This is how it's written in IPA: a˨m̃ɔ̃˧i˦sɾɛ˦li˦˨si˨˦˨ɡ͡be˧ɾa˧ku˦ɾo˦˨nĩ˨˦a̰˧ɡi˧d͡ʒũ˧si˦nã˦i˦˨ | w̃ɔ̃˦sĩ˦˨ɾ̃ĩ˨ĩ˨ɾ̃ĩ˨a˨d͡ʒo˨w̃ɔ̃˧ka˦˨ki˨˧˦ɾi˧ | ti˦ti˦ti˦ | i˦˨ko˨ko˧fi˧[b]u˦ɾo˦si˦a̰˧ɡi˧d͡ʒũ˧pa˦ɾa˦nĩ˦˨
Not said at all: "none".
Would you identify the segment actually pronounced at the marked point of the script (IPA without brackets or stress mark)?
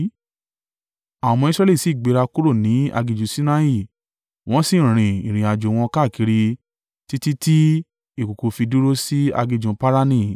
d